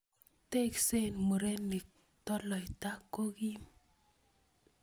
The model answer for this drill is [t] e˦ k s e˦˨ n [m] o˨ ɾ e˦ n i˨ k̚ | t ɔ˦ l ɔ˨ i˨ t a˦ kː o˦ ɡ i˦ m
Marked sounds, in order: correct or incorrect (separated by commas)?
correct, correct